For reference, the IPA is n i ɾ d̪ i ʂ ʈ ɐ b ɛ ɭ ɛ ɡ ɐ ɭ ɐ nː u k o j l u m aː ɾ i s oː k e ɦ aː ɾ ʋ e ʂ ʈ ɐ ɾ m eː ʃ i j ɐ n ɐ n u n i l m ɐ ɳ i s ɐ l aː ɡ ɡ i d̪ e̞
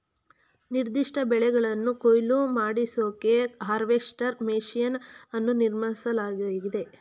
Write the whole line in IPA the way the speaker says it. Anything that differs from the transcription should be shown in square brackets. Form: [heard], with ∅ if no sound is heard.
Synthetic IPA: n i ɾ d̪ i ʂ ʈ ɐ b ɛ ɭ ɛ ɡ ɐ ɭ ɐ nː u k o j l u m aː [ɽ] i s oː k e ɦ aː ɾ ʋ e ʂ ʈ ɐ ɾ m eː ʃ i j ɐ n ɐ [nː] u n i [ɾ] m ɐ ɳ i s ɐ l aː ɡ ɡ i d̪ e̞